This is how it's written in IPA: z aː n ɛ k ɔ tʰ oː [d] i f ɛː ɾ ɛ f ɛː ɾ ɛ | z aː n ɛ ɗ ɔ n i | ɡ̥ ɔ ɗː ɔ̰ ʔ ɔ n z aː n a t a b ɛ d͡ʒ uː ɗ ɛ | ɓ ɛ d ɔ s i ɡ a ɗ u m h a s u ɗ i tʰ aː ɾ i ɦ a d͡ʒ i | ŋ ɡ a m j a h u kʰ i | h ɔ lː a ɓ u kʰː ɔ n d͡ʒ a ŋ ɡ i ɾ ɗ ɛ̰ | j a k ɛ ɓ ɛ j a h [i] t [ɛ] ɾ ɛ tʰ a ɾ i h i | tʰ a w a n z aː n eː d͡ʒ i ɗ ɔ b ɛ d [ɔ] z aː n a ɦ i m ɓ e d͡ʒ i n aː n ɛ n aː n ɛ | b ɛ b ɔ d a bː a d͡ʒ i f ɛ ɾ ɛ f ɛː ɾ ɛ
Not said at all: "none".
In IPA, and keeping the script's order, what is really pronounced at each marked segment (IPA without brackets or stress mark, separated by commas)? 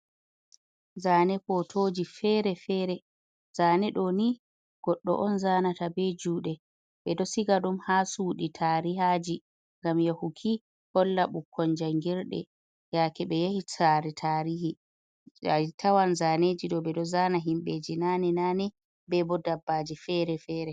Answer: d͡ʒ, i, a, ɔ